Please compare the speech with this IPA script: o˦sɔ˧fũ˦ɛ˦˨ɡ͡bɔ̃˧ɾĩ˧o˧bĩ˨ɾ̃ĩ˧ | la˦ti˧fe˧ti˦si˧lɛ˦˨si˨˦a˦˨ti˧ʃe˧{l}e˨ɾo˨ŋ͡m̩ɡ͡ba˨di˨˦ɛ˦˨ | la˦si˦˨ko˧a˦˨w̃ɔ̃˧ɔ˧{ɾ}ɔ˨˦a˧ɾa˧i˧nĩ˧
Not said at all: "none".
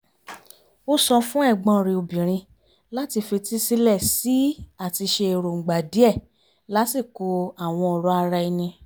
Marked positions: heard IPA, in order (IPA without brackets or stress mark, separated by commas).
none, ɾ